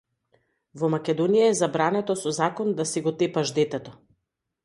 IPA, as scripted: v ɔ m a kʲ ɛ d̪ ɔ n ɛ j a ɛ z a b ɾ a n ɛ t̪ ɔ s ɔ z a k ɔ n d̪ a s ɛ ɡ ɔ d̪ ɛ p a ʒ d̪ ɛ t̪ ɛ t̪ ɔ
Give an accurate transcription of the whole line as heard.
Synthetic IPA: v ɔ m a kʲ ɛ d̪ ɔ n i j a ɛ z a b ɾ a n ɛ t̪ ɔ s ɔ z a k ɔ n d̪ a s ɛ ɡ ɔ t̪ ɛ p a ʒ d̪ ɛ t̪ ɛ t̪ ɔ